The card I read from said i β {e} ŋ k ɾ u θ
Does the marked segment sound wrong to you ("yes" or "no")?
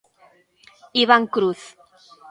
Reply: yes